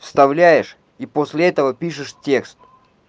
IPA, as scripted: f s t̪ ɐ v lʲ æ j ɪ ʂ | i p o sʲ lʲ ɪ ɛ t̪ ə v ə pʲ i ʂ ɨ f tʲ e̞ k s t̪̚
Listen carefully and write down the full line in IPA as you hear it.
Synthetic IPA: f s t̪ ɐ v lʲ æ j ɪ ʂ | i p o sʲ lʲ ɪ ɛ t̪ ə v ə pʲ i ʂ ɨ ʂ tʲ e̞ k s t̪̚